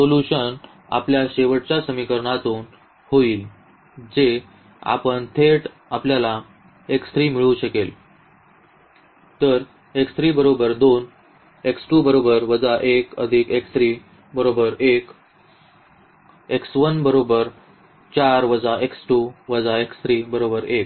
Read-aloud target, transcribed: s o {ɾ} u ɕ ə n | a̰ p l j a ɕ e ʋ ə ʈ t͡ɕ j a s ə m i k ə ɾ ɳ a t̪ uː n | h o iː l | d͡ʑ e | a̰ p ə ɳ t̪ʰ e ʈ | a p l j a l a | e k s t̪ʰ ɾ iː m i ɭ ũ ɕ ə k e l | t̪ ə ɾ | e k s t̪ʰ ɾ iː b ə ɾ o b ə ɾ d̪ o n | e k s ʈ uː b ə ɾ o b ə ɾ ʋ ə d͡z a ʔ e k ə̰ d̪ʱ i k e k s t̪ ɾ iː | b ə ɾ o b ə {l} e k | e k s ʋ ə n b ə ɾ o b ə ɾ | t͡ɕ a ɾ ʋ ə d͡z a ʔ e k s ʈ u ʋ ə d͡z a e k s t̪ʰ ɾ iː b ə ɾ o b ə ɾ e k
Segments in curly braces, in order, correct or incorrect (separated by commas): incorrect, incorrect